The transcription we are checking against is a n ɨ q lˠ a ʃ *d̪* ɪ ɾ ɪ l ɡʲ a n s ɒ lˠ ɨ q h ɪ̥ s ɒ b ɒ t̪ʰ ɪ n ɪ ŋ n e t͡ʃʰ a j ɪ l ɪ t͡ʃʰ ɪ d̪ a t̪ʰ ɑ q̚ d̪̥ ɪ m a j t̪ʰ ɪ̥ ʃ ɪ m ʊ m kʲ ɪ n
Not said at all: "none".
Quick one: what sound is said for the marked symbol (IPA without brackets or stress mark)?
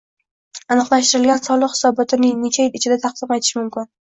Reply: t̪